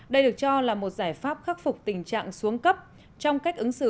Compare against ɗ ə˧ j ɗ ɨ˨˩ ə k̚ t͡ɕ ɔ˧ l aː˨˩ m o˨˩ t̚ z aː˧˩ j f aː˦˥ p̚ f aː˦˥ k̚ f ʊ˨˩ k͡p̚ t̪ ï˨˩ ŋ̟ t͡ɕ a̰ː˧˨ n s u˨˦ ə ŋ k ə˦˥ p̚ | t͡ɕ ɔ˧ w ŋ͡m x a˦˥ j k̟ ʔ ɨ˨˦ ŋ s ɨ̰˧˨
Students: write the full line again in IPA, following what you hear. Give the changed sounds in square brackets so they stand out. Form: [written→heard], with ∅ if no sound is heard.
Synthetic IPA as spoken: ɗ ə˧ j ɗ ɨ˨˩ ə k̚ t͡ɕ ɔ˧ l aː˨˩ m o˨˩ t̚ z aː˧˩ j f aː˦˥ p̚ [f→x] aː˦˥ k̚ f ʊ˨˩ k͡p̚ t̪ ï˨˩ ŋ̟ t͡ɕ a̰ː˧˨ [n→ŋ] s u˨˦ ə ŋ k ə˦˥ p̚ | t͡ɕ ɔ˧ w ŋ͡m [x→k] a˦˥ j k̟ ʔ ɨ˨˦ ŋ s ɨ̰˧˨